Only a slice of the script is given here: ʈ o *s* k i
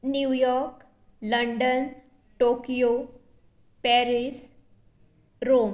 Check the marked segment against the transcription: incorrect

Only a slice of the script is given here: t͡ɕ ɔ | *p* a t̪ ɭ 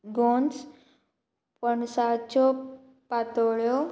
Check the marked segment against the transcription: correct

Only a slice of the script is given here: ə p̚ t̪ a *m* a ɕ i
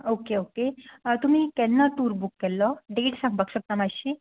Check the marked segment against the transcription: correct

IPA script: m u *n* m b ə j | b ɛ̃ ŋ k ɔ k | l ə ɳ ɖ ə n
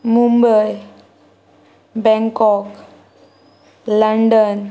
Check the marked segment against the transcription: incorrect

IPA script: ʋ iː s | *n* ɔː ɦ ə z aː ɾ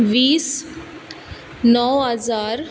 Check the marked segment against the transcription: correct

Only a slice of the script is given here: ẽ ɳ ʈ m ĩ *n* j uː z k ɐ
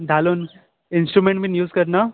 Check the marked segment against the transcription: correct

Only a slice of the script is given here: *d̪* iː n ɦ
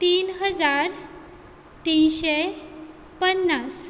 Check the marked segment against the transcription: incorrect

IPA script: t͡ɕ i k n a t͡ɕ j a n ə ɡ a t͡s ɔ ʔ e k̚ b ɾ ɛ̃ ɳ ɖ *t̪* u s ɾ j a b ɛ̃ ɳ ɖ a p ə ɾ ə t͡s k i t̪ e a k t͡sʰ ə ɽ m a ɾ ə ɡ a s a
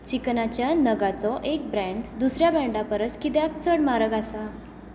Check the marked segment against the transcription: incorrect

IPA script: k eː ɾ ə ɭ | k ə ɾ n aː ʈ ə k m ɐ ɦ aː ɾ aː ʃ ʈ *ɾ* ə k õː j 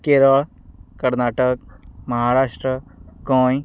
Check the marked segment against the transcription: correct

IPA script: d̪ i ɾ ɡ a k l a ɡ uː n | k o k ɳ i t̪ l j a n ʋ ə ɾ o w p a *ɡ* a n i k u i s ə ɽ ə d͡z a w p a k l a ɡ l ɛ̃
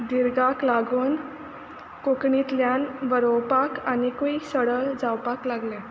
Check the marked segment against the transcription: incorrect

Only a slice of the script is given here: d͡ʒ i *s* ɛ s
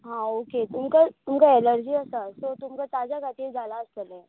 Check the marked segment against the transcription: incorrect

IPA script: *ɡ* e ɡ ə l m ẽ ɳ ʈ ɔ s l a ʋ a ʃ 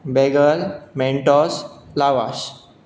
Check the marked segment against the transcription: incorrect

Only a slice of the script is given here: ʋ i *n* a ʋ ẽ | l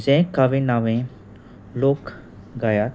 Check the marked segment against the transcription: correct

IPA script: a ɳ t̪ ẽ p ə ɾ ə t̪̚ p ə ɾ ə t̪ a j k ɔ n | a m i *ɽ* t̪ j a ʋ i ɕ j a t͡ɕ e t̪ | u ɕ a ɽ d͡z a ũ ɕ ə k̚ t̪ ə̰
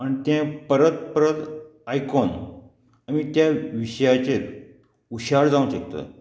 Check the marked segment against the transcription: incorrect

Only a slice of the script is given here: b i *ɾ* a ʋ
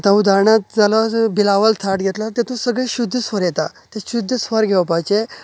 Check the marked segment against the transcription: incorrect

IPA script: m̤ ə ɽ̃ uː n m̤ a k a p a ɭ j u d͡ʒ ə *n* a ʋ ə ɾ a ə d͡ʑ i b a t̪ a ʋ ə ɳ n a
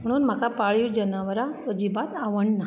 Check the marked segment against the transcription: correct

